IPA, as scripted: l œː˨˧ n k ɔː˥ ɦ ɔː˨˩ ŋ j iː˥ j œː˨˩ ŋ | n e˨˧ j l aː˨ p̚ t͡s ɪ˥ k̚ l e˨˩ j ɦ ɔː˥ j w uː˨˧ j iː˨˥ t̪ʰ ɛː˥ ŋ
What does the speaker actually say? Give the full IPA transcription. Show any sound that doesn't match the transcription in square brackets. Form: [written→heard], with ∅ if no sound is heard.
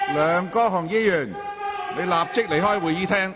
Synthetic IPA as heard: l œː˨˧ [n→ŋ] k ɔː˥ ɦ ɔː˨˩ ŋ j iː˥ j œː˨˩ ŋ | n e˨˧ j l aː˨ p̚ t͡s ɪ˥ k̚ l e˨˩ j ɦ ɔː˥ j w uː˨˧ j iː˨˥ t̪ʰ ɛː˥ ŋ